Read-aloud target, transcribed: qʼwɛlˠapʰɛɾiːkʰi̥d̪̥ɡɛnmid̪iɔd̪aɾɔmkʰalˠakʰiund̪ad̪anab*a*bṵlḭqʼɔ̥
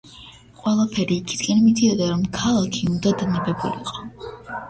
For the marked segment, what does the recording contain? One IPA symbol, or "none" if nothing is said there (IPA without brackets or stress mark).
ɛ